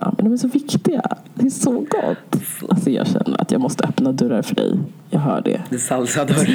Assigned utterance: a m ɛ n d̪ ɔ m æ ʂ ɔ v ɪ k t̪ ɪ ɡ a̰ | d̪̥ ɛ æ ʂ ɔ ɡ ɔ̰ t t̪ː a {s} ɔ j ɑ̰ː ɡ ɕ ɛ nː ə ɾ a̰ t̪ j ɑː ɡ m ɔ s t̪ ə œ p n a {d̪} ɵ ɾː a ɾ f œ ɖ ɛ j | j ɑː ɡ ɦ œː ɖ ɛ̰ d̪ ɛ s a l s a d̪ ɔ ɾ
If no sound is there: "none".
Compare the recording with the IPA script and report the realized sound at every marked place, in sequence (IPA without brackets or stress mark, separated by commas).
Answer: s, d̪